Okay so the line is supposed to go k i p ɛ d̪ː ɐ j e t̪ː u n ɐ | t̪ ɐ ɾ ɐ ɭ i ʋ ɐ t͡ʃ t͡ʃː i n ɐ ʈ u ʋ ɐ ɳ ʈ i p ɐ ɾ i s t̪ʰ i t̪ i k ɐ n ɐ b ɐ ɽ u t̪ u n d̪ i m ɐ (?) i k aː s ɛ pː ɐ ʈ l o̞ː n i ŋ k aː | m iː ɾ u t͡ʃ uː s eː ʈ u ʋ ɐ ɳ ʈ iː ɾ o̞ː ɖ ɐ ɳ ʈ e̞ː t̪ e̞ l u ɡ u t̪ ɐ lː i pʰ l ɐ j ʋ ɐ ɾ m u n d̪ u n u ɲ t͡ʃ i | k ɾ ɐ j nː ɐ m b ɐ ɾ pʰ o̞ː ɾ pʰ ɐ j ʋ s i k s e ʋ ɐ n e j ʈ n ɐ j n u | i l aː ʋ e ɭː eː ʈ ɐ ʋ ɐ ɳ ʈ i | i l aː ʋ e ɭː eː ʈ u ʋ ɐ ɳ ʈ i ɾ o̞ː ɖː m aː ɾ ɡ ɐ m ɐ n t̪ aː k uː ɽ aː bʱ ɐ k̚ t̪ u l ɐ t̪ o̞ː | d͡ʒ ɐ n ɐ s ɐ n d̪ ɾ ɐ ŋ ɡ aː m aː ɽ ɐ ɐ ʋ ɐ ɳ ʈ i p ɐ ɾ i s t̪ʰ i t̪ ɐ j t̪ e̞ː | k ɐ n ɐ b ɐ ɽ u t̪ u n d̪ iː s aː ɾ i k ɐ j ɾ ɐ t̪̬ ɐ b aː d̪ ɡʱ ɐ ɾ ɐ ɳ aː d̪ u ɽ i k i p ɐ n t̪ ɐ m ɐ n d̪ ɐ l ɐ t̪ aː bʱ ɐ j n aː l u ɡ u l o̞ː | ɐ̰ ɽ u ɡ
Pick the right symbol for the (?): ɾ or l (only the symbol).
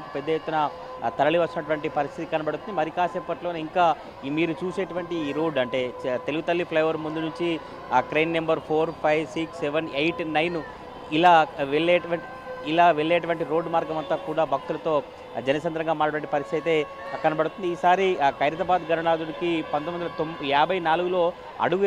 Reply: ɾ